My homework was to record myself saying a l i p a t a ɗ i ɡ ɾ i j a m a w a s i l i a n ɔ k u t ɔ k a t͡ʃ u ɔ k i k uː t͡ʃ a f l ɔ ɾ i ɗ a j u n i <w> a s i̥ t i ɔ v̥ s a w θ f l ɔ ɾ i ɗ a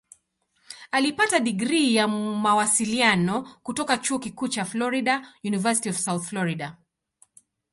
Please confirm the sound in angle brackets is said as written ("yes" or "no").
no